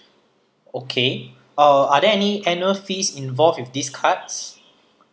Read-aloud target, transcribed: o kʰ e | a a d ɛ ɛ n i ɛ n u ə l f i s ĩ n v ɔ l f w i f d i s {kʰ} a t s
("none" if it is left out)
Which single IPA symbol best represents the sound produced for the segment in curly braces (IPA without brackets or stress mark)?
kʰ